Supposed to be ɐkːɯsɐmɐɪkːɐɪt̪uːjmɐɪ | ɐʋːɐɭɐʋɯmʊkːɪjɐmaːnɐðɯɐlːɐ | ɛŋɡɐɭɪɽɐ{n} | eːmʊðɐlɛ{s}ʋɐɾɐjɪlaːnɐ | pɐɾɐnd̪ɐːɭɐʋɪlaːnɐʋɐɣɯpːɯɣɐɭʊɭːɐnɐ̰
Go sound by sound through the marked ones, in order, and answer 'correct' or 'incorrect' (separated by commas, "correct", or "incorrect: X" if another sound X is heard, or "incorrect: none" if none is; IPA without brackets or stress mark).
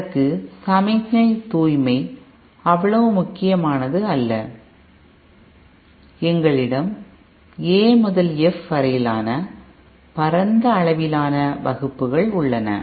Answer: incorrect: m, incorrect: f